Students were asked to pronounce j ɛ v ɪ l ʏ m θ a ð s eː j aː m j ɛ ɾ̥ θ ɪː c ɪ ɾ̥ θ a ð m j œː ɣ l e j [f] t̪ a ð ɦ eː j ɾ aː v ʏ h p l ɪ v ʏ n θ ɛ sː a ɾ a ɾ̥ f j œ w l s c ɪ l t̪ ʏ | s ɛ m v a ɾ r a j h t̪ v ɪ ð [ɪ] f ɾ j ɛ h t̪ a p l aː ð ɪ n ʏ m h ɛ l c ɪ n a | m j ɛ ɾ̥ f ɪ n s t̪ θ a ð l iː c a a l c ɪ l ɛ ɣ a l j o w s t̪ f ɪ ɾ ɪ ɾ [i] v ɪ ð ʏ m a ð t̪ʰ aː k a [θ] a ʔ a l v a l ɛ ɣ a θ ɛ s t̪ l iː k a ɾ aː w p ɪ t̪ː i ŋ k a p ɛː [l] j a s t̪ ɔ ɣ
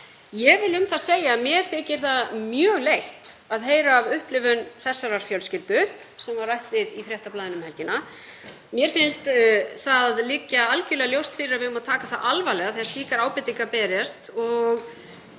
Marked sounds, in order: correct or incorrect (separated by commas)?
incorrect, incorrect, incorrect, correct, incorrect